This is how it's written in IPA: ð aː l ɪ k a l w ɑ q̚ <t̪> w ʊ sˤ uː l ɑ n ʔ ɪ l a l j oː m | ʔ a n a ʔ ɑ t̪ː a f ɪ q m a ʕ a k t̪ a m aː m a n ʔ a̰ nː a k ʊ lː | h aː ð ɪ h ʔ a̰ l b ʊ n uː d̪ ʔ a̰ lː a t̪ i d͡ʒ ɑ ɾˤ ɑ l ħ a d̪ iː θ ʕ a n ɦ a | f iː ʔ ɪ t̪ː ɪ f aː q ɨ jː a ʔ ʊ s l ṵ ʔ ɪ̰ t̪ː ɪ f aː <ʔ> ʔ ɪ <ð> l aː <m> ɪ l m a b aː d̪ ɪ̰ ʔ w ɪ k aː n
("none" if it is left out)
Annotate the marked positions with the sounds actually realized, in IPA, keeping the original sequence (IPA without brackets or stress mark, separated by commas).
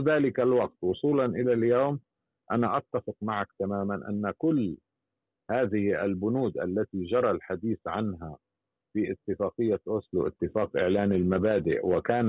t̪, q, ʕ, n